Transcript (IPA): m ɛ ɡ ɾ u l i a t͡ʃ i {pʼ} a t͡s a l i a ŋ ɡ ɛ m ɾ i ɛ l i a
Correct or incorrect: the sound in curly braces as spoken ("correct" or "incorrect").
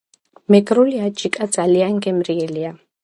incorrect